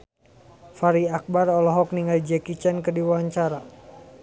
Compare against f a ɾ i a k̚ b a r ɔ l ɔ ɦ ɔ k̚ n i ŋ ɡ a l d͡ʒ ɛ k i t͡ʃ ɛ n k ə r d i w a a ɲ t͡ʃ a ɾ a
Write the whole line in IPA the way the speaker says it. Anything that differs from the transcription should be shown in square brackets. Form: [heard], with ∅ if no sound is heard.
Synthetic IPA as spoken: f a ɾ i a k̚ b a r ɔ l ɔ ɦ ɔ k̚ n i ŋ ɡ a l d͡ʒ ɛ k i t͡ʃ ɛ n k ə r d i w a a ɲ t͡ʃ a ɾ a

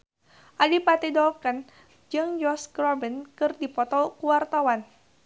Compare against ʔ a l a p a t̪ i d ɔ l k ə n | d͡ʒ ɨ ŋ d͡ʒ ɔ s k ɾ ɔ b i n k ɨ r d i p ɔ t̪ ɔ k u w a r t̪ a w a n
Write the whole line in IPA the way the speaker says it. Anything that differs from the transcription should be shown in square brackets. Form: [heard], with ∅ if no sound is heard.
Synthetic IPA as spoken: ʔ a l [i] p a t̪ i d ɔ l k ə n | d͡ʒ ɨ ŋ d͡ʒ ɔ s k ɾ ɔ b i n k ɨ r d i p ɔ t̪ ɔ k u w a r t̪ a w a n

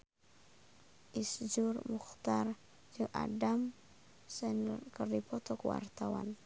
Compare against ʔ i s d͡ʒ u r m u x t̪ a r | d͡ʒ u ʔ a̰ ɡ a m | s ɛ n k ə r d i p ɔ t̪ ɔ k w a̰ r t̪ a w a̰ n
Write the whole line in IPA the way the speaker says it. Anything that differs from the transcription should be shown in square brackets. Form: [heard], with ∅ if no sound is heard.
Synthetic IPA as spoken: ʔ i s d͡ʒ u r m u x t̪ a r | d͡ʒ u ʔ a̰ [d] a m | s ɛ n k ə r d i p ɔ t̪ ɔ k w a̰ r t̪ a w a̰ n

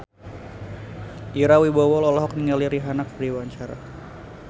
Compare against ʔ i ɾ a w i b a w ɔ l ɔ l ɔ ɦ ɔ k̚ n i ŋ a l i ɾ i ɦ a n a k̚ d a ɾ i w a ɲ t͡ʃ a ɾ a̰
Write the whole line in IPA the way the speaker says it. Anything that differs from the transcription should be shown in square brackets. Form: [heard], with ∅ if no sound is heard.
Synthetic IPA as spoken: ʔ i ɾ a w i b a w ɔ l ɔ l ɔ ɦ ɔ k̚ n i ŋ a l i ɾ i ɦ a n a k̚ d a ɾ i w a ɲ t͡ʃ a ɾ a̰

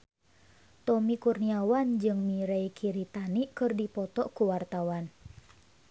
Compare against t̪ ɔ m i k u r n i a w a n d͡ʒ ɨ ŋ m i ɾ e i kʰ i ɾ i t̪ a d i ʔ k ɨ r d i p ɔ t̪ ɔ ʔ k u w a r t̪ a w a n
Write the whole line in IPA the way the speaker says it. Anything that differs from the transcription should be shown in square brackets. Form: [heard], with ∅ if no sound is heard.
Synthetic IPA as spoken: t̪ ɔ m i k u r n i a w a n d͡ʒ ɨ ŋ m i ɾ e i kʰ i ɾ i t̪ a [n] i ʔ k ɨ r d i p ɔ t̪ ɔ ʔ k u w a r t̪ a w a n

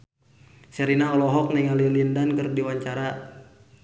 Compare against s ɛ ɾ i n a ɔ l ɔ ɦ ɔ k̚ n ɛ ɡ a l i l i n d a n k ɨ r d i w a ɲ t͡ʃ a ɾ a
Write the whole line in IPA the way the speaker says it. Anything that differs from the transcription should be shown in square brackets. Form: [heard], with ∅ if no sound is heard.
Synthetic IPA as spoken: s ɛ ɾ i n a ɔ l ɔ ɦ ɔ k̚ n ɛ [ŋ] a l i l i n d a n k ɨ r d i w a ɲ t͡ʃ a ɾ a

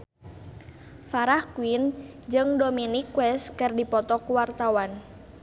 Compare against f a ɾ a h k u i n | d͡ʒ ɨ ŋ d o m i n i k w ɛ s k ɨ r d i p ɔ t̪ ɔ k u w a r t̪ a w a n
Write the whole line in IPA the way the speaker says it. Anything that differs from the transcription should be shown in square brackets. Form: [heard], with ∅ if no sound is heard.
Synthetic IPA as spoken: f a ɾ a h k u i n | d͡ʒ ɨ ŋ d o m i n i k w ɛ s k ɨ r d i p ɔ t̪ ɔ k u w a r t̪ a w a n

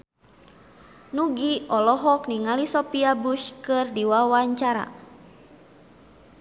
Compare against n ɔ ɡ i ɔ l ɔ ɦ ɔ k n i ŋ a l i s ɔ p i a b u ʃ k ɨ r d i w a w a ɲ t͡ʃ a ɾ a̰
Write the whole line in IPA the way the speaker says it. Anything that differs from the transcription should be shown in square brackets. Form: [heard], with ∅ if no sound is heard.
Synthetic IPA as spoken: n [u] ɡ i ɔ l ɔ ɦ ɔ k n i ŋ a l i s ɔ p i a b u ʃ k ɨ r d i w a w a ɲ t͡ʃ a ɾ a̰

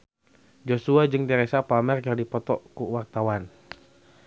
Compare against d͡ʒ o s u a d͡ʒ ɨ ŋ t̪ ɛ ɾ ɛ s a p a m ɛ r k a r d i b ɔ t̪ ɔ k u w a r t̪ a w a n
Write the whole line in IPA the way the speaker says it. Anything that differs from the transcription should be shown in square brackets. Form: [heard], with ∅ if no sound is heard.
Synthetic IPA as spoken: d͡ʒ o s u a d͡ʒ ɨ ŋ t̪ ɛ ɾ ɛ s a p a m ɛ r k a r d i [p] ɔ t̪ ɔ k u w a r t̪ a w a n

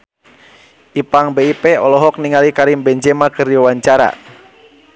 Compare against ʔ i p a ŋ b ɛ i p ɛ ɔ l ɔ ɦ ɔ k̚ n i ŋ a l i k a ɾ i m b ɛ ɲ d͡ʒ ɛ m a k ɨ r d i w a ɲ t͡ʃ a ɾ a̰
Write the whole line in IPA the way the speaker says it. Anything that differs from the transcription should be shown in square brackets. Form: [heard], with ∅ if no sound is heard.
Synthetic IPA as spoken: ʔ i p a ŋ b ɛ i p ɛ ɔ l ɔ ɦ ɔ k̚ n i ŋ a l i k a ɾ i m b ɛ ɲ d͡ʒ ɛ m a k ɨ r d i w a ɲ t͡ʃ a ɾ a̰

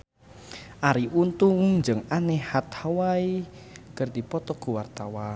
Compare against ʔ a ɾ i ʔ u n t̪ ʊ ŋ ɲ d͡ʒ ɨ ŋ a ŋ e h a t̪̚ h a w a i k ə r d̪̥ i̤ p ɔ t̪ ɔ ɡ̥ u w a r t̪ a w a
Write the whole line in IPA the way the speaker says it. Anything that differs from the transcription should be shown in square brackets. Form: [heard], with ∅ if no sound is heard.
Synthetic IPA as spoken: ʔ a ɾ i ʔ u n t̪ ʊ ŋ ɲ d͡ʒ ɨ ŋ a [n] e h a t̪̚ h a w a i k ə r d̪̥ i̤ p ɔ t̪ ɔ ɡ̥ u w a r t̪ a w a

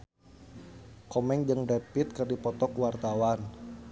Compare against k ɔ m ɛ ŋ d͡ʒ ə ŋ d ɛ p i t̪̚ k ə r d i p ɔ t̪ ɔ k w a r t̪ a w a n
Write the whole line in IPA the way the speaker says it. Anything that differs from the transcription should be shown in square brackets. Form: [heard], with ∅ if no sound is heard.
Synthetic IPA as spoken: k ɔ m ɛ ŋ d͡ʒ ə ŋ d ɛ p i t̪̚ k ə r d i p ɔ t̪ ɔ k w a r t̪ a w a n

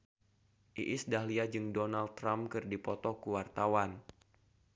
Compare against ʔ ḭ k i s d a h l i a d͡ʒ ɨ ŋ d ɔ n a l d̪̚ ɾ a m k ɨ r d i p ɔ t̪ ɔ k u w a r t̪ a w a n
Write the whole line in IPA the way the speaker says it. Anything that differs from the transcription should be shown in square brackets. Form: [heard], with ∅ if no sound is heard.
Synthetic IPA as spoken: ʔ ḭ [ʔ] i s d a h l i a d͡ʒ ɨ ŋ d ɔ n a l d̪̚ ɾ a m k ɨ r d i p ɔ t̪ ɔ k u w a r t̪ a w a n

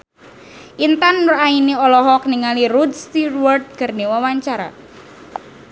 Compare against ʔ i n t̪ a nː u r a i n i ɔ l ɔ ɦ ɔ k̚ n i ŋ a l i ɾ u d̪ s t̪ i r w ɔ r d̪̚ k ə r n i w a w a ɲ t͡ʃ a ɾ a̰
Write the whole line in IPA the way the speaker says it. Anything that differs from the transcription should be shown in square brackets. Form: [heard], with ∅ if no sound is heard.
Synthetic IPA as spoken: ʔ i n t̪ a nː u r a i n i ɔ l ɔ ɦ ɔ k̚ n i ŋ a l i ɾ u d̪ s t̪ i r w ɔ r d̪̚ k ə r n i w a w a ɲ t͡ʃ a ɾ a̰

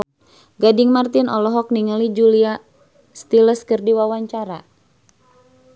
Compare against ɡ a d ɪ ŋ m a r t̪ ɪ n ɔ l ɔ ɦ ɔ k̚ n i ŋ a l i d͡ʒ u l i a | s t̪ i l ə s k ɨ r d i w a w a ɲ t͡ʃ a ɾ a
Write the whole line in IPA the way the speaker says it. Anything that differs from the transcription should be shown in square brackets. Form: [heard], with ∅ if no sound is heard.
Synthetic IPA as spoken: ɡ a d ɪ ŋ m a r t̪ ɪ n ɔ l ɔ ɦ ɔ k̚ n i ŋ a l i d͡ʒ u l i a | s t̪ i l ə s k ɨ r d i w a w a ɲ t͡ʃ a ɾ a

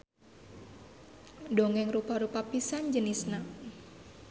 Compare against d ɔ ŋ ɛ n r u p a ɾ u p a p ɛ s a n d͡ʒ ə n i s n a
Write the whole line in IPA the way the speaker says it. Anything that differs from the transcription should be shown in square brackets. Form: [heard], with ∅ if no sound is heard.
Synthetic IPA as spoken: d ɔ ŋ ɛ [ŋ] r u p a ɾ u p a p [i] s a n d͡ʒ ə n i s n a

